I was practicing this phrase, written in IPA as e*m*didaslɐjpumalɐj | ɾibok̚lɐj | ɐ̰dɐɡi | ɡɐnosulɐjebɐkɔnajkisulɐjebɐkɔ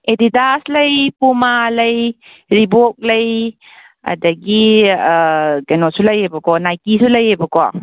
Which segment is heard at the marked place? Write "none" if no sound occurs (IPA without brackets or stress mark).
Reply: none